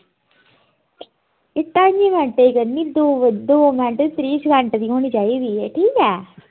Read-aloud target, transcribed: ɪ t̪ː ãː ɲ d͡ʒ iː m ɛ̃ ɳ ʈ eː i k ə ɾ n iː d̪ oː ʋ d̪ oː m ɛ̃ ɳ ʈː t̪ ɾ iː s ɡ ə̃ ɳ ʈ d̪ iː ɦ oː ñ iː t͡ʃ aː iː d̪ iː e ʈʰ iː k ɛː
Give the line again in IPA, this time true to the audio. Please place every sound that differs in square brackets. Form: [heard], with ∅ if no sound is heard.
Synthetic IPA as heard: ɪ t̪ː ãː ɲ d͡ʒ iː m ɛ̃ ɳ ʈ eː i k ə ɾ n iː d̪ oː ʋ d̪ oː m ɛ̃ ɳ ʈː t̪ ɾ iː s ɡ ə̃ ɳ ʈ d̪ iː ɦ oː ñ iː t͡ʃ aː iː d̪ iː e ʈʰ iː k ɛː